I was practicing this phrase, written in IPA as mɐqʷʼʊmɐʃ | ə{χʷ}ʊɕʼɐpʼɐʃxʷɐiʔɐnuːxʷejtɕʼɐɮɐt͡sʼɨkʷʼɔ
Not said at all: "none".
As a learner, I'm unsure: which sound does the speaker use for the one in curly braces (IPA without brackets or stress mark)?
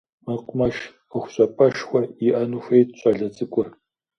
xʷ